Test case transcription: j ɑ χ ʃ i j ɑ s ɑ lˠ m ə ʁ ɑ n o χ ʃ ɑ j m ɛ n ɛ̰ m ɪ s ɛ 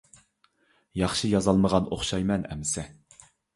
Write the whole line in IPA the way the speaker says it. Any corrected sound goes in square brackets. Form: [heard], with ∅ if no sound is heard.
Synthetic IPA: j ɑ χ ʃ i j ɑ [z] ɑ lˠ m ə ʁ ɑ n o χ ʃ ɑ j m ɛ n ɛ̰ m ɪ s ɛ